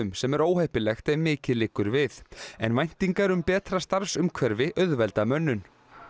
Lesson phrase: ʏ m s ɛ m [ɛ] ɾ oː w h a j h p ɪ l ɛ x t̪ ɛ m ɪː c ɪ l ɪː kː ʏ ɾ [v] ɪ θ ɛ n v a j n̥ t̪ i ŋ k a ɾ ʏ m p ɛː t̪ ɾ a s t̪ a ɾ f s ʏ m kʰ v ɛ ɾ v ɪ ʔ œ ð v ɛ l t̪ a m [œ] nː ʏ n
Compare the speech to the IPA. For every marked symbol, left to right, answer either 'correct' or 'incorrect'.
correct, correct, correct

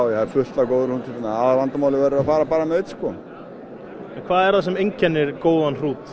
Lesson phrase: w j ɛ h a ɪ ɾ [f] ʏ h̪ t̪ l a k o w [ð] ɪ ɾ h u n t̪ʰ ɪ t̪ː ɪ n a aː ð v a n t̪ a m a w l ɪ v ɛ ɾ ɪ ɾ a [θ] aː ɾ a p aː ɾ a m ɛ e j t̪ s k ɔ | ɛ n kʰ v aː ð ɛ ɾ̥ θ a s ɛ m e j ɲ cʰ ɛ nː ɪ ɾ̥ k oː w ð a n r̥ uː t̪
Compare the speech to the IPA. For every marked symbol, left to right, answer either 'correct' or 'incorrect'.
correct, correct, incorrect: f

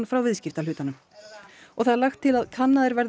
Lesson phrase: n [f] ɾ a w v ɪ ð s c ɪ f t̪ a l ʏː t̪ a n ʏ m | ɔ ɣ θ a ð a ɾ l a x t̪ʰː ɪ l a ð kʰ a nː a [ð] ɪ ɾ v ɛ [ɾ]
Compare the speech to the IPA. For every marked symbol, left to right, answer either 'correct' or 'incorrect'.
correct, correct, correct

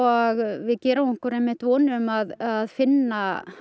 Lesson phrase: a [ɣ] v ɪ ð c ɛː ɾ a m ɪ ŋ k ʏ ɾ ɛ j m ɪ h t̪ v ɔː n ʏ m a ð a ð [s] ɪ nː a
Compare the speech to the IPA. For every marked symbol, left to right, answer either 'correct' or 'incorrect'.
correct, incorrect: f

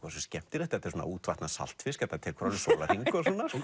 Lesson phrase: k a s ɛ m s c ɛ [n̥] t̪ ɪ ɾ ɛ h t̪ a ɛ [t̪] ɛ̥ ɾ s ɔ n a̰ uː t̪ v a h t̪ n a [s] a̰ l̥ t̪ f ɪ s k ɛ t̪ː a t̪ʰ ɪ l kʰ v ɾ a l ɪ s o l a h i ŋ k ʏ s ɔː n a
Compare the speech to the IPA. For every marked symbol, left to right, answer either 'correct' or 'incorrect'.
incorrect: m̥, correct, correct

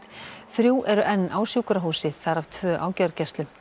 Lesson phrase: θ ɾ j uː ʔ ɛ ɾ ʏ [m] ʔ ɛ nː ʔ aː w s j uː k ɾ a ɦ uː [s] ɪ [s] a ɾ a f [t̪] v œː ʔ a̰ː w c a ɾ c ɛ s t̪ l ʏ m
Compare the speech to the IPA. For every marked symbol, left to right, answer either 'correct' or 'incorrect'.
incorrect: none, correct, incorrect: θ, incorrect: t̪ʰ

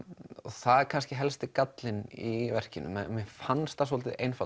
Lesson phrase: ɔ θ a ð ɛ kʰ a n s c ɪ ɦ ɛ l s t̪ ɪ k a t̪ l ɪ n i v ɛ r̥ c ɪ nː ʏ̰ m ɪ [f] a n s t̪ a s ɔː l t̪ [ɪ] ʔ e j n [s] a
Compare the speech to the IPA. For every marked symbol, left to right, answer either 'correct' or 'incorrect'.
correct, correct, incorrect: f

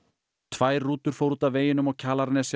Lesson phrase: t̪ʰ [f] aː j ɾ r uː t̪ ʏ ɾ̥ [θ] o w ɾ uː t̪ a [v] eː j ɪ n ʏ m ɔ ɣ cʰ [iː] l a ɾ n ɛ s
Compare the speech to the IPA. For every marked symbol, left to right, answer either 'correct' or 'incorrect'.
incorrect: v, incorrect: f, correct, incorrect: aː

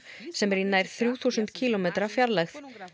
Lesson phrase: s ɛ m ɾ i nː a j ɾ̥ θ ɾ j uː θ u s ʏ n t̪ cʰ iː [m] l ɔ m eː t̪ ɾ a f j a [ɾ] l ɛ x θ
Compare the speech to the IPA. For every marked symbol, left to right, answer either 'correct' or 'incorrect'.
incorrect: none, correct

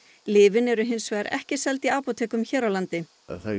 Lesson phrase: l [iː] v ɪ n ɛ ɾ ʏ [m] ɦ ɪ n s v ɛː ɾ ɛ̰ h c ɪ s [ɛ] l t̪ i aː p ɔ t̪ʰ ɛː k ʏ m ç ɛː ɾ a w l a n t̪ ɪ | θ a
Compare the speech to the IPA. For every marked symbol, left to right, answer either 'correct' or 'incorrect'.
incorrect: ɪː, incorrect: none, correct

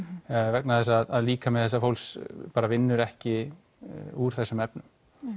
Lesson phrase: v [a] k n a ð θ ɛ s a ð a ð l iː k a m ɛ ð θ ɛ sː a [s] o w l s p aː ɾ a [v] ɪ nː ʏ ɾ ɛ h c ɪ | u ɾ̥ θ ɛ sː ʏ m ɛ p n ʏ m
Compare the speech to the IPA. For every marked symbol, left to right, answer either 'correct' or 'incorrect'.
incorrect: ɛ, incorrect: f, correct

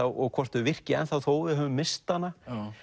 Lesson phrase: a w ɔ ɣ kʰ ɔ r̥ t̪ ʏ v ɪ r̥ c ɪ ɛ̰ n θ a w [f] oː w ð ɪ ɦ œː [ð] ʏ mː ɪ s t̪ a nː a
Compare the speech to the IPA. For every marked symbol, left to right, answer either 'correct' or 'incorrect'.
incorrect: θ, incorrect: v

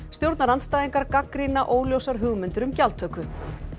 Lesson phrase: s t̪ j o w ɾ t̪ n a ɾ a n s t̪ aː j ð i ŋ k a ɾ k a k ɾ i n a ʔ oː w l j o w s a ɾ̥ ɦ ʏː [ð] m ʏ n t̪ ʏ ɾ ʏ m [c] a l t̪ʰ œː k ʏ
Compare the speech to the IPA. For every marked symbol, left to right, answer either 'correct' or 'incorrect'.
incorrect: ɣ, correct

